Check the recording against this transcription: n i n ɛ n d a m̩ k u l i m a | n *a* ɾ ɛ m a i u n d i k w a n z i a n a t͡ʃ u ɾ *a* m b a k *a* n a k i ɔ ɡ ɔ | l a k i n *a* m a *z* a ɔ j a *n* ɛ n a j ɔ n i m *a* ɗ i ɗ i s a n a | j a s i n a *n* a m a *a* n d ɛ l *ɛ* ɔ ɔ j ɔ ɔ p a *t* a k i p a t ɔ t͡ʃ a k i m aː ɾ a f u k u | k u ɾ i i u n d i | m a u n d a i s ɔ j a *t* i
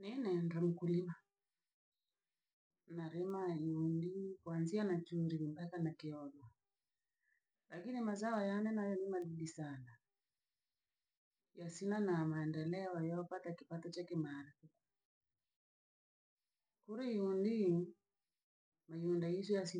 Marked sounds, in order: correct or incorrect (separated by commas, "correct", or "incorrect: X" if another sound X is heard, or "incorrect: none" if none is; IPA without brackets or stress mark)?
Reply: correct, incorrect: i, correct, incorrect: i, correct, correct, correct, correct, incorrect: ɛ, correct, correct, incorrect: s